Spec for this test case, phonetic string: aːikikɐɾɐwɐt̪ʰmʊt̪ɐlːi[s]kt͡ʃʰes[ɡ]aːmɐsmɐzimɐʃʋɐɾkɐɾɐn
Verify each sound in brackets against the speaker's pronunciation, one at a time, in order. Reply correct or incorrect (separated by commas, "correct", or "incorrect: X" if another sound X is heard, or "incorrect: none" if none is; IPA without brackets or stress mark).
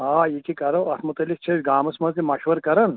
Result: incorrect: none, correct